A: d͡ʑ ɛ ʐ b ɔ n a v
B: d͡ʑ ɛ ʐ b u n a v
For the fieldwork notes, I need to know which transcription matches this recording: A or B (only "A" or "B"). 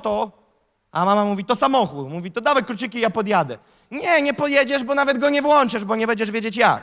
A